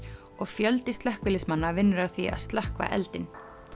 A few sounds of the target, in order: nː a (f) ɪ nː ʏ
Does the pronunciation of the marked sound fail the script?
yes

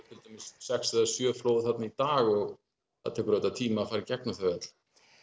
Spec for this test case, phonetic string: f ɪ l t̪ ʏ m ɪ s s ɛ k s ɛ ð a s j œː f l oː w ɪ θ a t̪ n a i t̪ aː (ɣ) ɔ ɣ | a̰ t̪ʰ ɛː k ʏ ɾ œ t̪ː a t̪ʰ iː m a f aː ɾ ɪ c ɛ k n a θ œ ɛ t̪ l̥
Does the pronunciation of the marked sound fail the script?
no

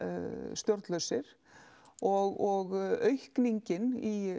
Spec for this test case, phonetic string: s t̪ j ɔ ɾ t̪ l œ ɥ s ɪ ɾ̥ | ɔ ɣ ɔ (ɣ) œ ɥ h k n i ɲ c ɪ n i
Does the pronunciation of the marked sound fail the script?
no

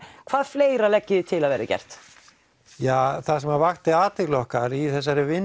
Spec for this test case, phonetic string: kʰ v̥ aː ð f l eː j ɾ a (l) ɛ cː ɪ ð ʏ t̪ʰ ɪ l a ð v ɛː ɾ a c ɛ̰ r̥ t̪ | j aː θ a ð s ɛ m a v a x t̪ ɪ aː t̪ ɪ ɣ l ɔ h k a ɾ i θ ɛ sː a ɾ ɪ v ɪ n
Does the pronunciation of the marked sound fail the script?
no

